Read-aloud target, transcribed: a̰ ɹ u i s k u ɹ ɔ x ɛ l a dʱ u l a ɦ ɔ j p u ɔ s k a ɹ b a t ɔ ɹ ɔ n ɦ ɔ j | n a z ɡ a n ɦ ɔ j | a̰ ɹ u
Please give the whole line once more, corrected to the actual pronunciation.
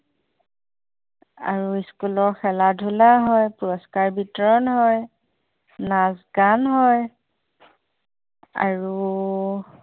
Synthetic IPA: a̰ ɹ u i s k u l ɔ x ɛ l a dʱ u l a ɦ ɔ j p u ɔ s k a ɹ b i t ɔ ɹ ɔ n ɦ ɔ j | n a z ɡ a n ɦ ɔ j | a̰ ɹ u

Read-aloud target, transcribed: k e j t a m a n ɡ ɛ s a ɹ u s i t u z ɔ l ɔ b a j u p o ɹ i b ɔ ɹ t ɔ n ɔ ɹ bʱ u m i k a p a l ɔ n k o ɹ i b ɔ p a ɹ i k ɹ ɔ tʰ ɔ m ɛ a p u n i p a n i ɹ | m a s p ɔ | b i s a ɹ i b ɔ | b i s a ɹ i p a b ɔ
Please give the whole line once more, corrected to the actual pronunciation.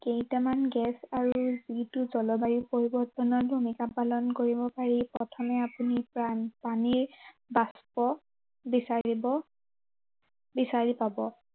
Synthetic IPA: k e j t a m a n ɡ ɛ s a ɹ u z i t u z ɔ l ɔ b a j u p o ɹ i b ɔ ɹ t ɔ n ɔ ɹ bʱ u m i k a p a l ɔ n k o ɹ i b ɔ p a ɹ i p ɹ ɔ tʰ ɔ m ɛ a p u n i p a n i ɹ | b a s p ɔ | b i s a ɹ i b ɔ | b i s a ɹ i p a b ɔ

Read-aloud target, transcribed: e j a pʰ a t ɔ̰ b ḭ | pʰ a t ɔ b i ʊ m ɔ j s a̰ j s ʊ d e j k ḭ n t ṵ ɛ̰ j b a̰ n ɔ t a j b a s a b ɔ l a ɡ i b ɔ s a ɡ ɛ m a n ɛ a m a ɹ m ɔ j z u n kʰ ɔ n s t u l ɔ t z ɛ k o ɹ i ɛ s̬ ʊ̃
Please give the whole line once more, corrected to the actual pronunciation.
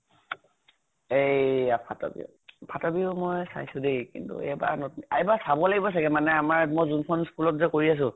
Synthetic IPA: e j a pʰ a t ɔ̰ b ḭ | pʰ a t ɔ b i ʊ m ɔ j s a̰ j s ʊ d e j k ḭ n t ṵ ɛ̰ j b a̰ n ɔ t a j b a s a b ɔ l a ɡ i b ɔ s a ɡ ɛ m a n ɛ a m a ɹ m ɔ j z u n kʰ ɔ n s k u l ɔ t z ɛ k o ɹ i a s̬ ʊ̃

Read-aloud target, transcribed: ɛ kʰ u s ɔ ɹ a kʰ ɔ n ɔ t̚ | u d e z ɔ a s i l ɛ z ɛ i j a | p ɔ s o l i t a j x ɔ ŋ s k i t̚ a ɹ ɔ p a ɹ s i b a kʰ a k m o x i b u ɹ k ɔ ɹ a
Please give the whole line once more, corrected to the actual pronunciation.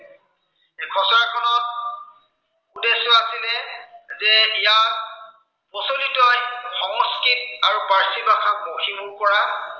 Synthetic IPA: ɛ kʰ ɔ s ɔ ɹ a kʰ ɔ n ɔ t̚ | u d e s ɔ a s i l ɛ z ɛ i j a | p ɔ s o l i t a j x ɔ ŋ s k i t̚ a ɹ u p a ɹ s i b a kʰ a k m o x i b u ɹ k ɔ ɹ a

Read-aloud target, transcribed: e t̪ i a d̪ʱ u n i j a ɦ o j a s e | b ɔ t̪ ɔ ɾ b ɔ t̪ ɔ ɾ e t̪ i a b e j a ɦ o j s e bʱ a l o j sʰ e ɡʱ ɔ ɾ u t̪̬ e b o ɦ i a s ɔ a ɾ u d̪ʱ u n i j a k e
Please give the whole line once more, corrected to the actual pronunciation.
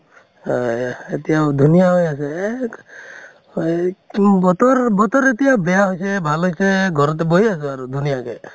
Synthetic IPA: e t̪ i a d̪ʱ u n i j a ɦ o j a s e | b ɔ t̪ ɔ ɾ b ɔ t̪ ɔ ɾ e t̪ i a b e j a ɦ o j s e bʱ a l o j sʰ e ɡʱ ɔ ɾ ɔ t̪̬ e b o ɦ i a s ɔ a ɾ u d̪ʱ u n i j a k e

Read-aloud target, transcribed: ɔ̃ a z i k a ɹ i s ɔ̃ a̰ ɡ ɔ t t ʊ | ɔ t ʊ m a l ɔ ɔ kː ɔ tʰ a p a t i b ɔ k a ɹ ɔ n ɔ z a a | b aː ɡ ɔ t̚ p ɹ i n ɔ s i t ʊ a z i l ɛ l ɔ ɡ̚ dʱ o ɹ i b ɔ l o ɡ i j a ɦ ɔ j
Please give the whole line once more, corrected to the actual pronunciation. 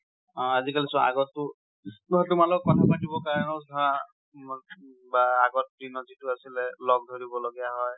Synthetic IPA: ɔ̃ a z i k a l i s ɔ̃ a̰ ɡ ɔ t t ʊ | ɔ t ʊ m a l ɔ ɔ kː ɔ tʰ a p a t i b ɔ k a ɹ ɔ n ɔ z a a | b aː ɡ ɔ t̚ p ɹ i n ɔ z i t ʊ a s i l ɛ l ɔ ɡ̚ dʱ o ɹ i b ɔ l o ɡ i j a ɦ ɔ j

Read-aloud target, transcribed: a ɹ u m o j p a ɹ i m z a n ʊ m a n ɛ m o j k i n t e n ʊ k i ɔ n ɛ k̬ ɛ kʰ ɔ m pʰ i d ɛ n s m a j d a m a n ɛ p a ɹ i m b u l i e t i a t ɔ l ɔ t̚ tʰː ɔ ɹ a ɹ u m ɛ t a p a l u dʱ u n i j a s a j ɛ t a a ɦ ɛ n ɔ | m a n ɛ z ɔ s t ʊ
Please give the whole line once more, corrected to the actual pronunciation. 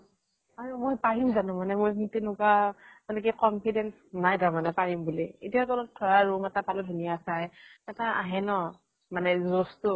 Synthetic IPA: a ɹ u m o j p a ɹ i m z a n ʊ m a n ɛ m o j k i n t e n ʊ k a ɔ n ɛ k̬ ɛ k ɔ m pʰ i d ɛ n s n a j d a m a n ɛ p a ɹ i m b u l i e t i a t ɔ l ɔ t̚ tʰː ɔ ɹ a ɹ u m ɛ t a p a l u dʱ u n i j a s a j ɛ t a a ɦ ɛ n ɔ | m a n ɛ z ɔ s t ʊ

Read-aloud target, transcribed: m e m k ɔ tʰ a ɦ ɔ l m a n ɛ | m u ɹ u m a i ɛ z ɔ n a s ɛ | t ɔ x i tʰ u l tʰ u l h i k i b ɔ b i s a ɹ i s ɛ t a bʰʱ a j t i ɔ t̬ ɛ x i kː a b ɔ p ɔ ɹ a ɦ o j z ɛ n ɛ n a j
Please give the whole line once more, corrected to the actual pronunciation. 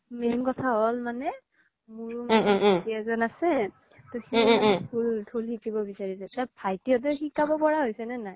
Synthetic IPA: m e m k ɔ tʰ a ɦ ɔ l m a n ɛ | m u ɹ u m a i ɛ z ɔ n a s ɛ | t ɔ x i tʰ u l tʰ u l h i k i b ɔ b i s a ɹ i s ɛ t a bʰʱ a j t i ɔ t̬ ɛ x i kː a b ɔ p ɔ ɹ a ɦ o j s ɛ n ɛ n a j

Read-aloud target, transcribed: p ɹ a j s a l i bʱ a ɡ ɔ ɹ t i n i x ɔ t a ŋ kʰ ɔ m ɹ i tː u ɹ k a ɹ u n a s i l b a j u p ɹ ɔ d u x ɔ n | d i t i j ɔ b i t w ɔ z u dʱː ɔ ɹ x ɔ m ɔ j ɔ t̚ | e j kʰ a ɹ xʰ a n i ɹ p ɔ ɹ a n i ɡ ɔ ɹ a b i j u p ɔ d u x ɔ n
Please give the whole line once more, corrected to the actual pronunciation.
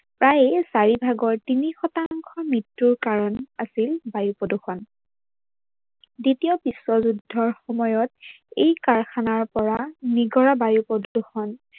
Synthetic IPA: p ɹ a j s a ɹ i bʱ a ɡ ɔ ɹ t i n i x ɔ t a ŋ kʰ ɔ m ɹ i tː u ɹ k a ɹ ɔ n a s i l b a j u p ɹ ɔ d u x ɔ n | d i t i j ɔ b i s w ɔ z u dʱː ɔ ɹ x ɔ m ɔ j ɔ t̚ | e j k a ɹ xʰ a n a ɹ p ɔ ɹ a n i ɡ ɔ ɹ a b a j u p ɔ d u x ɔ n

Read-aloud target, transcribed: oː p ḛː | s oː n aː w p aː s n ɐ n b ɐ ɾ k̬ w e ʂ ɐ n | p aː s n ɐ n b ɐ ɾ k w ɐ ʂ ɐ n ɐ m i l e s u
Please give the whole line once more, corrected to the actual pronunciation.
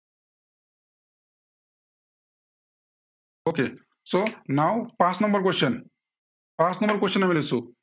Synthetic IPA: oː k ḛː | s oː n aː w p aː s n ɐ m b ɐ ɾ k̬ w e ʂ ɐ n | p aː s n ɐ m b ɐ ɾ k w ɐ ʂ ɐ n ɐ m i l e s u

